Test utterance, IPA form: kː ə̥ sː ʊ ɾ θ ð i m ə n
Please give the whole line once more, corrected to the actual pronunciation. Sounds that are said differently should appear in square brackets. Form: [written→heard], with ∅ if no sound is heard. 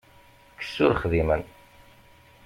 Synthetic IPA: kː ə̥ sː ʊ ɾ [θ→χ] ð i m ə n